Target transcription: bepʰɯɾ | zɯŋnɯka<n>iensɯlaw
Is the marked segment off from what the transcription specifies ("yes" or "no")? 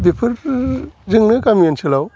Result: yes